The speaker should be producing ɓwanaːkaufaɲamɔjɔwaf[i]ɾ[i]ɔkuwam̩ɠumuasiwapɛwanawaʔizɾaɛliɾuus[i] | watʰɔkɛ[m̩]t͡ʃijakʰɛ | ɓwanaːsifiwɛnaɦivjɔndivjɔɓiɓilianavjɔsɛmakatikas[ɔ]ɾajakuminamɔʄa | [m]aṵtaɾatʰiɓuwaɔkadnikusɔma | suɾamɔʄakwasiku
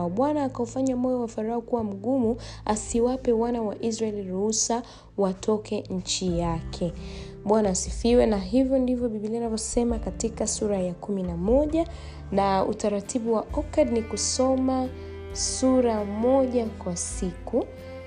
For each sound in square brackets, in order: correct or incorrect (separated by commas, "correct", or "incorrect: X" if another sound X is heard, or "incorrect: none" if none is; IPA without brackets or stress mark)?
incorrect: a, incorrect: a, incorrect: a, incorrect: ɲ̩, incorrect: u, incorrect: n